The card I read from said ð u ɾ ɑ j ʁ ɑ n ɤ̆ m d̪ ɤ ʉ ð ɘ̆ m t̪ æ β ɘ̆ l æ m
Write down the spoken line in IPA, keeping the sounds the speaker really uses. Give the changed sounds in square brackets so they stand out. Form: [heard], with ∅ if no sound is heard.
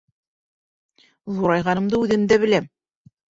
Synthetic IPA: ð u ɾ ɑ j ʁ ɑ n ɤ̆ m d̪ ɤ ʉ ð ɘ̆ m [d̪] æ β ɘ̆ l æ m